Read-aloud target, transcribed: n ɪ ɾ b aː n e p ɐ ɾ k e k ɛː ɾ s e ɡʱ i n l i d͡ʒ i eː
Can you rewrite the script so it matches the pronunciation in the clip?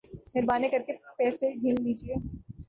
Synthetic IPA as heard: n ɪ ɾ b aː n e k ɐ ɾ k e p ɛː s e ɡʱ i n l iː d͡ʒ i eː